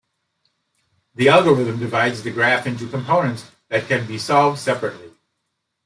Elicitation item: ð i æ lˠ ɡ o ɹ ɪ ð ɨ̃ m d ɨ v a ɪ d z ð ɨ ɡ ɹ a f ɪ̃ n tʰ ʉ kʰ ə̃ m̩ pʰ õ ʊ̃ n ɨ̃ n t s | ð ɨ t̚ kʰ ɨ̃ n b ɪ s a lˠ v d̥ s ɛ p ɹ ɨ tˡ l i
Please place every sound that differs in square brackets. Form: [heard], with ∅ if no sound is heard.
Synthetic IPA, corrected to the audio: ð i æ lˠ ɡ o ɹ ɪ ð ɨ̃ m d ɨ v a ɪ d z ð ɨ ɡ ɹ [æ] f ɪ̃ n [t] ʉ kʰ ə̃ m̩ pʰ õ ʊ̃ n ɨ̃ n t s | ð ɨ t̚ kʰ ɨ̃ n b [i] s [ɑ] lˠ v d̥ s ɛ p ɹ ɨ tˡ l i